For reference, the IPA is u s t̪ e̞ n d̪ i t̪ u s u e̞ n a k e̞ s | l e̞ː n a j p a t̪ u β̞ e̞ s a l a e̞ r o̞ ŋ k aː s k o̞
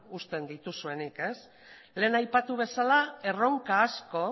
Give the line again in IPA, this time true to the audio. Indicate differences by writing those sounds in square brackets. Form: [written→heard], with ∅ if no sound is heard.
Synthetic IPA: u s t̪ e̞ n d̪ i t̪ u s u e̞ n [a→i] k e̞ s | l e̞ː n a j p a t̪ u β̞ e̞ s a l a e̞ r o̞ ŋ k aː s k o̞